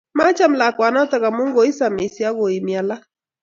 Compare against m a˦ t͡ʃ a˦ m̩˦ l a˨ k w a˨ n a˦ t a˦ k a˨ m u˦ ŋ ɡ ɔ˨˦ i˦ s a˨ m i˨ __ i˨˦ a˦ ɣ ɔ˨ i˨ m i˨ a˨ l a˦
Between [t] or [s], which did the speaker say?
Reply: s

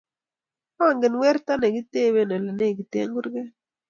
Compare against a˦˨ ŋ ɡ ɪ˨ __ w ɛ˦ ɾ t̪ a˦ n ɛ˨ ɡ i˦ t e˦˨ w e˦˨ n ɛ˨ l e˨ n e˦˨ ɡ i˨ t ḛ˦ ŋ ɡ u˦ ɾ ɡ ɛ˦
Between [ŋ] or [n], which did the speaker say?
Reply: n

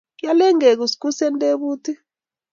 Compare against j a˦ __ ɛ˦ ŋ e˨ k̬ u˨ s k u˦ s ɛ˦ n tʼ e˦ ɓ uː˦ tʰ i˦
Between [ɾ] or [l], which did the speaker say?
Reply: l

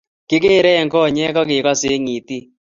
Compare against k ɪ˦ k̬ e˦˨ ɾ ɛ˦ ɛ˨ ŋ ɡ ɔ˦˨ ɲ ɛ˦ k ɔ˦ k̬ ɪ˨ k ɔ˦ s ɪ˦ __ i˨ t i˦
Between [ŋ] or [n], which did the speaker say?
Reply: ŋ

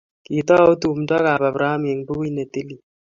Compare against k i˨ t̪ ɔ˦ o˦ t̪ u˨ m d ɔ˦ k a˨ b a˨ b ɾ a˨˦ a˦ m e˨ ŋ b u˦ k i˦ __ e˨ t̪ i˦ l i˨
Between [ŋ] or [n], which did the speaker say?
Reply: n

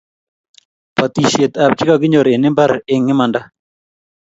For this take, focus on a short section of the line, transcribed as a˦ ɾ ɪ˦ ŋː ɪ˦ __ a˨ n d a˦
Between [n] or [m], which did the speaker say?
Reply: m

